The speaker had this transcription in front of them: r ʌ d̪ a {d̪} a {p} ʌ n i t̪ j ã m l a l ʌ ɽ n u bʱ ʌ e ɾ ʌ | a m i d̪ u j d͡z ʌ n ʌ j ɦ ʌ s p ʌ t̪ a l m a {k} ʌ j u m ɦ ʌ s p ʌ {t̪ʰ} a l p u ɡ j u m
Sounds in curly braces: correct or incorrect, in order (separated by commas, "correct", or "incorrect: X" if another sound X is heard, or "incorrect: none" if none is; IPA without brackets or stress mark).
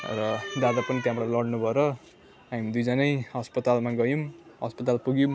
correct, correct, incorrect: ɡ, incorrect: t̪